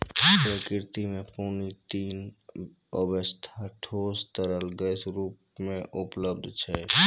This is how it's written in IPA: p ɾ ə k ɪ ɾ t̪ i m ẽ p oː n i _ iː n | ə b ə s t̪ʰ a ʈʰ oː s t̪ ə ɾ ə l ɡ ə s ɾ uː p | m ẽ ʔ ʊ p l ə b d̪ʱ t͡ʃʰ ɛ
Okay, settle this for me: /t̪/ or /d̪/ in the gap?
t̪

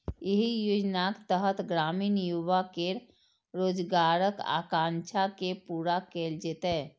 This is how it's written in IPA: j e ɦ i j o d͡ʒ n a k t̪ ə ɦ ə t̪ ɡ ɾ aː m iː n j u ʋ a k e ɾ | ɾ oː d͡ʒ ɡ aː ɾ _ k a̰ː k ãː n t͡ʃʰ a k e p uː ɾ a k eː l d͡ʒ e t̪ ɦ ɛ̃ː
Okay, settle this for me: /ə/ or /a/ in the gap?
ə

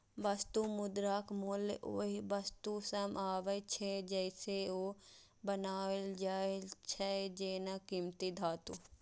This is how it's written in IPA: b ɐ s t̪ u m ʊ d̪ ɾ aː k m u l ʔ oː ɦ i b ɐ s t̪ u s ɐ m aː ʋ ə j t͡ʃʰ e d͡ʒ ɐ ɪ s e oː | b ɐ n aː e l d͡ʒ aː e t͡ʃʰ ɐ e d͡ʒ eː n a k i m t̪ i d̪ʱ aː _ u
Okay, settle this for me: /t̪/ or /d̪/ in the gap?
t̪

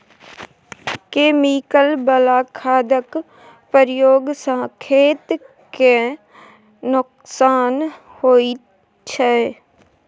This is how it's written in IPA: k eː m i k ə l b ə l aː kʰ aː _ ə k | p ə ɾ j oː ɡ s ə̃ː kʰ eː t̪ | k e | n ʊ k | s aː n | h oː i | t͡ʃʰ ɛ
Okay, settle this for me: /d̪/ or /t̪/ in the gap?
d̪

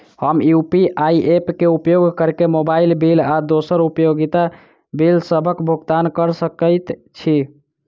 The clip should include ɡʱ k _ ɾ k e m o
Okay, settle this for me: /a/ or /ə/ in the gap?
ə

